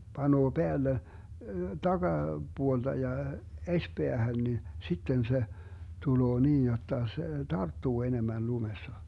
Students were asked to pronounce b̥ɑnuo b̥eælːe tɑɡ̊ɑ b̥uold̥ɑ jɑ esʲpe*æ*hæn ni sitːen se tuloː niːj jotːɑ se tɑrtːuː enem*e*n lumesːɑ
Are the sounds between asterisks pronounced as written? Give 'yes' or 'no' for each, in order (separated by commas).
yes, no